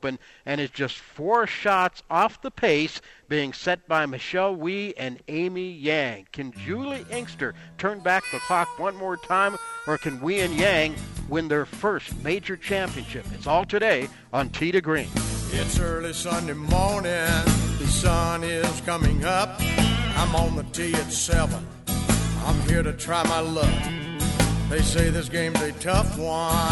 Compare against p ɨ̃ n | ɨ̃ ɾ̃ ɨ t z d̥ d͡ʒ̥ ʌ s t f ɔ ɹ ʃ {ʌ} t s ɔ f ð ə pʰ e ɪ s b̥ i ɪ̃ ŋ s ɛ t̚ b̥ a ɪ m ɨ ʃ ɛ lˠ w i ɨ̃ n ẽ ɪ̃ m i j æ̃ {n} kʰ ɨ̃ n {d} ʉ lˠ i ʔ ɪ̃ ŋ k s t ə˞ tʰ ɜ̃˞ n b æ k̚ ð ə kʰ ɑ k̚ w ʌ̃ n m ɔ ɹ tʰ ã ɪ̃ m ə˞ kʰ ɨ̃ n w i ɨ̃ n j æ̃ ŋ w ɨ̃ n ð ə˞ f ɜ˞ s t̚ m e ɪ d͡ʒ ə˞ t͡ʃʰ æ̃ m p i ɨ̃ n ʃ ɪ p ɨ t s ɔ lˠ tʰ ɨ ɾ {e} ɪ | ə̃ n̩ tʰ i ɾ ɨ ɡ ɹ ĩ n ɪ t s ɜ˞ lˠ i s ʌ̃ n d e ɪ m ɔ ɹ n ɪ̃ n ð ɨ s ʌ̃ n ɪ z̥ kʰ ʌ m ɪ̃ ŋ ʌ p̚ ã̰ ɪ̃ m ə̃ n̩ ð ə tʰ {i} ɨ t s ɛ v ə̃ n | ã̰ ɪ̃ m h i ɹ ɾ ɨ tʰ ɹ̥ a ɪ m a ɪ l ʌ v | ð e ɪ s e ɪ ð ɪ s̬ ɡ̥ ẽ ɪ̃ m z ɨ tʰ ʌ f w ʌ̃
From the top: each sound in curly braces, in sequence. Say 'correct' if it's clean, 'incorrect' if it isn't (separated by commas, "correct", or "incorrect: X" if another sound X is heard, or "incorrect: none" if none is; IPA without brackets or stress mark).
incorrect: ɑ, incorrect: ŋ, incorrect: d͡ʒ, correct, correct